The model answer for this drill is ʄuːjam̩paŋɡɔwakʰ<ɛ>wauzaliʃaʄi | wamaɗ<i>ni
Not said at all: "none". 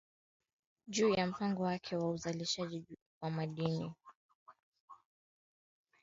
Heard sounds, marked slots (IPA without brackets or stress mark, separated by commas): ɛ, i